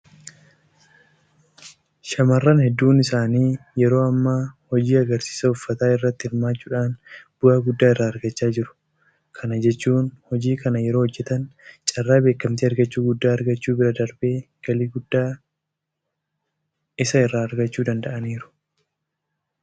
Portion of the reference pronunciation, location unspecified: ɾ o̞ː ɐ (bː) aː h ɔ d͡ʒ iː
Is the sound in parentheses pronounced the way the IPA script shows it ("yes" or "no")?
no